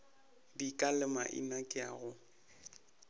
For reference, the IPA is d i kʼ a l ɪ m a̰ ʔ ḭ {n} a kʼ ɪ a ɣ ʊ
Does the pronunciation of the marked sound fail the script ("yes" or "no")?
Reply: no